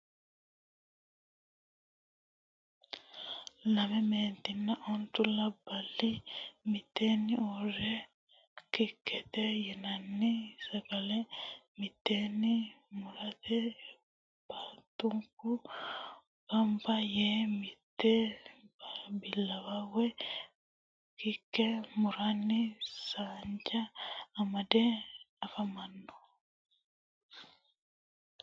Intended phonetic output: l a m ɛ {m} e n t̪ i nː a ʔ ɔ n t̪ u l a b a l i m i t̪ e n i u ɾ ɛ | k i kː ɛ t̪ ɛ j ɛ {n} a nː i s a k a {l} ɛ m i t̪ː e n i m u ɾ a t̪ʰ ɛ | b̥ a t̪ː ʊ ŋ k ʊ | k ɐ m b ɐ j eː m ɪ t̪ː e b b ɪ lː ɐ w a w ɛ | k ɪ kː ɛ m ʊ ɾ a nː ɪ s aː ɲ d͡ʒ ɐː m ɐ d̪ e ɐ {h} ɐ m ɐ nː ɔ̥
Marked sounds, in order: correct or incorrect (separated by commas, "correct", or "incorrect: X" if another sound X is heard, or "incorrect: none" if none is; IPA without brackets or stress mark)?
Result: correct, correct, correct, incorrect: f